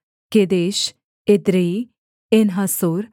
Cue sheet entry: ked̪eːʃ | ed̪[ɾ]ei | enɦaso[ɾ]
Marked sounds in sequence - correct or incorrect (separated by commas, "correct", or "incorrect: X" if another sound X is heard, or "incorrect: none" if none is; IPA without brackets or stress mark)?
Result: correct, correct